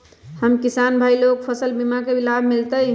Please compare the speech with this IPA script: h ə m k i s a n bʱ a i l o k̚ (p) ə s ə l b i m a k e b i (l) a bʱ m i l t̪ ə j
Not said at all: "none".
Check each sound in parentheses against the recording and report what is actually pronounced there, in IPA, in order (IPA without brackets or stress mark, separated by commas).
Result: pʰ, l